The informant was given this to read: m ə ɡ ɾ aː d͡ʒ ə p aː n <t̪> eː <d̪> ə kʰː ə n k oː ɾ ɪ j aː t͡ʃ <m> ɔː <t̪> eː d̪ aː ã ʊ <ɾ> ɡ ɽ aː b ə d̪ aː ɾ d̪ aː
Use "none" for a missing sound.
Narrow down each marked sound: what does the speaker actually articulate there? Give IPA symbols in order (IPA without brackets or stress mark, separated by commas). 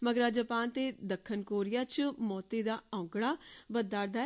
t̪, d̪, m, t̪, none